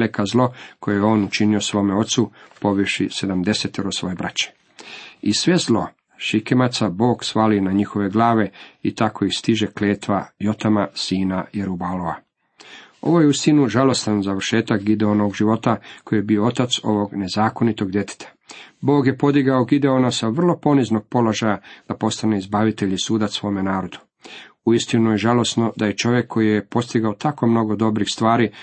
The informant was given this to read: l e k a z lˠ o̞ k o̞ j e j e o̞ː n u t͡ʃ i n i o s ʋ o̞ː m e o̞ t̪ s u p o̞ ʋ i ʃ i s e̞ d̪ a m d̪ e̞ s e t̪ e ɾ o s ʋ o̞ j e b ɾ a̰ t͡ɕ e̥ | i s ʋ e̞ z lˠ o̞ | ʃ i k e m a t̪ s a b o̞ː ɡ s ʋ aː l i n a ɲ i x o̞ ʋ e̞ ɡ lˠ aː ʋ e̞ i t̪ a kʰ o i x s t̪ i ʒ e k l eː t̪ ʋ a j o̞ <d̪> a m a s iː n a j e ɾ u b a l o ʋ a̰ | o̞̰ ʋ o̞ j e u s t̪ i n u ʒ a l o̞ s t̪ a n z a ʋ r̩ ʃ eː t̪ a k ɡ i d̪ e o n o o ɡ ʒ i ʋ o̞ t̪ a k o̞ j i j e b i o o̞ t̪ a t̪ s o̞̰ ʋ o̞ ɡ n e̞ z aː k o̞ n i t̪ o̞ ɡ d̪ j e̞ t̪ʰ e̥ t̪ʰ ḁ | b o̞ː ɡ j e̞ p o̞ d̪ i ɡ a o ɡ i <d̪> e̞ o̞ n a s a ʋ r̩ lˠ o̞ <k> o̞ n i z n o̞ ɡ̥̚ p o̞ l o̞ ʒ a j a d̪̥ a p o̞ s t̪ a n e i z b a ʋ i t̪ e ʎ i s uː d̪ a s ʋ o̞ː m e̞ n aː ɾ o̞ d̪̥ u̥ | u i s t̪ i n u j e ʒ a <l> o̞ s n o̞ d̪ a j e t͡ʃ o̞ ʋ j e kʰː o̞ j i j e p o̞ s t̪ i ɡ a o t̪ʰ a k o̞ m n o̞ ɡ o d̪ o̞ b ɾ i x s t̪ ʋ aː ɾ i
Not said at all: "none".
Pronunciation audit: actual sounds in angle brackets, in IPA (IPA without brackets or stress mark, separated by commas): t̪, d̪, p, l